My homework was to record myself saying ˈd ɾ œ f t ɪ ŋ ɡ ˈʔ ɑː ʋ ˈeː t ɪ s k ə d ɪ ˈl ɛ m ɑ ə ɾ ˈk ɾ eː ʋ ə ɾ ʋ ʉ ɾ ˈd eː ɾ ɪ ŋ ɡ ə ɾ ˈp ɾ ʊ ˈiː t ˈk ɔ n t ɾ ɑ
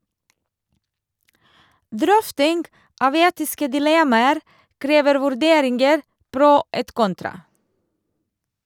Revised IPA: ˈd ɾ œ f t ɪ ŋ ɡ ˈʔ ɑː ʋ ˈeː t ɪ s k ə d ɪ ˈl ɛ m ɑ ə ɾ ˈk ɾ eː ʋ ə ɾ ʋ ʉ ɾ ˈd eː ɾ ɪ ŋ ɡ ə ɾ ˈp ɾ ʊ ˈeː t ˈk ɔ n t ɾ ɑ

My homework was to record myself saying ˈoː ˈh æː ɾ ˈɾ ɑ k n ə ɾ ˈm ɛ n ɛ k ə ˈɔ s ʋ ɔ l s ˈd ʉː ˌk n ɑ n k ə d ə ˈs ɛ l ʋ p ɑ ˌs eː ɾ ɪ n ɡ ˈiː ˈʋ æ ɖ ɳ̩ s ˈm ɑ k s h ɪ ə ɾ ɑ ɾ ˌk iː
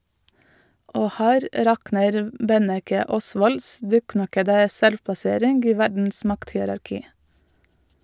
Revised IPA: ˈoː ˈh æː ɾ ˈɾ ɑ k n ə ɾ ˈb ɛ n ɛ k ə ˈɔ s ʋ ɔ l s ˈd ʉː ˌk n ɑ k ə d ə ˈs ɛ l ʋ p ɑ ˌs eː ɾ ɪ n ɡ ˈiː ˈʋ æ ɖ ɳ̩ s ˈm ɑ k t h ɪ ə ɾ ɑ ɾ ˌk iː

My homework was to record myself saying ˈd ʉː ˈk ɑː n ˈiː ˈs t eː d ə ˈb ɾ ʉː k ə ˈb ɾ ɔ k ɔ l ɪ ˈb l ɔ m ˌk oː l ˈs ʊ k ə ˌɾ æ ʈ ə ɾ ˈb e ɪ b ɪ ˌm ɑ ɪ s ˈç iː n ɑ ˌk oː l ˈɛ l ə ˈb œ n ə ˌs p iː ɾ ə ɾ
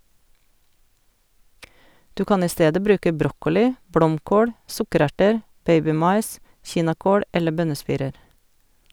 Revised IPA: ˈd ʉː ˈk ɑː n ˈiː ˈs t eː d ə ˈb ɾ ʉː k ə ˈb ɾ ɔ k ɔ l ɪ ˈb l ɔ m ˌk oː ɽ ˈs ʊ k ə ˌɾ æ ʈ ə ɾ ˈb e ɪ b ɪ ˌm ɑ ɪ s ˈç iː n ɑ ˌk oː l ˈɛ l ə ˈb œ n ə ˌs p iː ɾ ə ɾ

